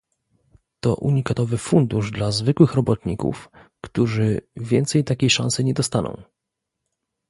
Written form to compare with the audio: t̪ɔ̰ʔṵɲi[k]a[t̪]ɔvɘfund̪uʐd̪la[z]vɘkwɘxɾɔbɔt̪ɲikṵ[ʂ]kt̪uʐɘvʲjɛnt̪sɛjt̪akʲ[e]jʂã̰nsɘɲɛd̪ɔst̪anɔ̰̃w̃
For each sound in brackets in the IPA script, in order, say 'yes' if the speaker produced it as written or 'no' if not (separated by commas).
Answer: yes, yes, yes, no, yes